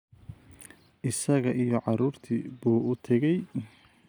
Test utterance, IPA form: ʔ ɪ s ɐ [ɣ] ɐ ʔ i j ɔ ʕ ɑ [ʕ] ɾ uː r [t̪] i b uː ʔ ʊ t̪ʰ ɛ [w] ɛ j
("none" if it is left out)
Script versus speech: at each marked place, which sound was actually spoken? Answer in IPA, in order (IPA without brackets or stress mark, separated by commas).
ɣ, none, t̪ʰ, ɣ